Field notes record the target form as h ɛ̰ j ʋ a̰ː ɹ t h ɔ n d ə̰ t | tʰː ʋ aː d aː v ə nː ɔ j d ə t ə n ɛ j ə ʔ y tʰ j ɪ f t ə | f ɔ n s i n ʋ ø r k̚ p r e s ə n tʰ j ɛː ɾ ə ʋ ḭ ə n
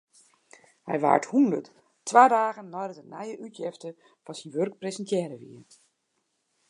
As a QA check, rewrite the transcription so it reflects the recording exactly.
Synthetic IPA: h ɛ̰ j ʋ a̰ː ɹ t h u n d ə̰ t | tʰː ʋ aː d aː ɣ ə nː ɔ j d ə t ə n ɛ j ə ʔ y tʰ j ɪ f t ə | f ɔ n s i n ʋ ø r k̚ p r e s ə n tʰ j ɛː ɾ ə ʋ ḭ ə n